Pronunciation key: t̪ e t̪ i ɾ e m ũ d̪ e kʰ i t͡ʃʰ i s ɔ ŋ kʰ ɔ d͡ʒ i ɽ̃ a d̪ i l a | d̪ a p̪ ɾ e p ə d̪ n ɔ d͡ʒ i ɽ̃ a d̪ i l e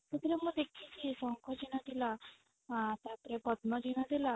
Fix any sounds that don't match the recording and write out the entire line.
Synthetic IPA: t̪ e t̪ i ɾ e m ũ d̪ e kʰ i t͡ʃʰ i s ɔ ŋ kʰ ɔ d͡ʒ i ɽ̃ a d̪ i l a | t̪ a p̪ ɾ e p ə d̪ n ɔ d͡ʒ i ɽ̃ a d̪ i l a